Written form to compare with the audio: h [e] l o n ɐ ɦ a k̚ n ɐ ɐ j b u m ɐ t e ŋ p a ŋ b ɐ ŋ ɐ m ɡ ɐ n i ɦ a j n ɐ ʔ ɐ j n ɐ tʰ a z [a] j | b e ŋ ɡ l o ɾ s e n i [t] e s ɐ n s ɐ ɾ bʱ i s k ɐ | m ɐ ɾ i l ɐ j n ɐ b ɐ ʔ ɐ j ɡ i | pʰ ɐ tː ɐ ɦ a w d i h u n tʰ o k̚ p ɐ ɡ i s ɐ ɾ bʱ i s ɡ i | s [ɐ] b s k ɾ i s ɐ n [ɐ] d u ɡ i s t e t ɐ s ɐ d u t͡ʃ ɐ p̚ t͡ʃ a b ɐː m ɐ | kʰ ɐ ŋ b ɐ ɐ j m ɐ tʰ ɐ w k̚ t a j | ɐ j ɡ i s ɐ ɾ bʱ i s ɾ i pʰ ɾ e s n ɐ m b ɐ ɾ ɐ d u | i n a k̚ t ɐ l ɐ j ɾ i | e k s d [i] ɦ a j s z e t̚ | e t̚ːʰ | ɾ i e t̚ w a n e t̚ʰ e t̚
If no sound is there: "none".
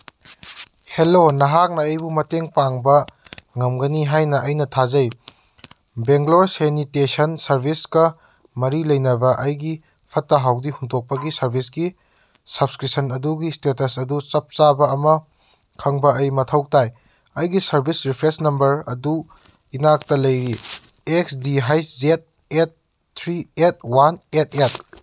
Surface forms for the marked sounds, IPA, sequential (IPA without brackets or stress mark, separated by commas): e, ɐ, t, ɐ, ɐ, i